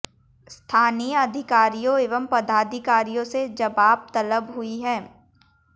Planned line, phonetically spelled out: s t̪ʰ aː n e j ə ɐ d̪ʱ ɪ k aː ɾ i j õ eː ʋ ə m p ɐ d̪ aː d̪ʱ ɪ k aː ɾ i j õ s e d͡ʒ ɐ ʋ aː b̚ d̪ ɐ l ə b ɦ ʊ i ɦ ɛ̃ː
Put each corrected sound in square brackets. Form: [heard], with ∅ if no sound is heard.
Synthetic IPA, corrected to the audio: s t̪ʰ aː n [i] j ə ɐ d̪ʱ ɪ k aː ɾ i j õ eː ʋ ə m p ɐ d̪ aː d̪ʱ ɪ k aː ɾ i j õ s e d͡ʒ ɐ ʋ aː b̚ [t̪] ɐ l ə b ɦ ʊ i ɦ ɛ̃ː